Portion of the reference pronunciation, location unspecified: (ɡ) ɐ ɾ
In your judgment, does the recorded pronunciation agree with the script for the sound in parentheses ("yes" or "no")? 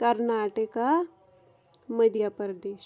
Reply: no